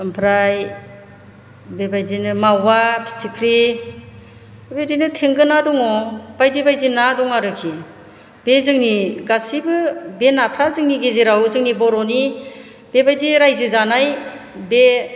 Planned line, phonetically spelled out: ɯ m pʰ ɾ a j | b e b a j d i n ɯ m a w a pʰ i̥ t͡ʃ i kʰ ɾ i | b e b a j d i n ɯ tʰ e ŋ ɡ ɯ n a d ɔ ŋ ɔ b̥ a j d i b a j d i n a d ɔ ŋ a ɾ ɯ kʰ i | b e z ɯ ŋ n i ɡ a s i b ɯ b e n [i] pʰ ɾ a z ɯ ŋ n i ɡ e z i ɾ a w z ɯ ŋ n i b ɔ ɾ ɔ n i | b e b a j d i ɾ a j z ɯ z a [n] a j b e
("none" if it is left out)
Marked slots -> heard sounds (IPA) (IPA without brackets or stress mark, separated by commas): a, n